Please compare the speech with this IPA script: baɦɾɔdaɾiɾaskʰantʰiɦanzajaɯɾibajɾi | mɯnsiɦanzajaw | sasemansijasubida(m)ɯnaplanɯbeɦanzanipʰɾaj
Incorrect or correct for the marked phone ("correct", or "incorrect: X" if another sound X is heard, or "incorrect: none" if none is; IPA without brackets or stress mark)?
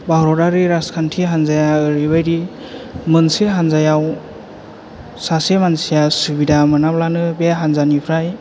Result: correct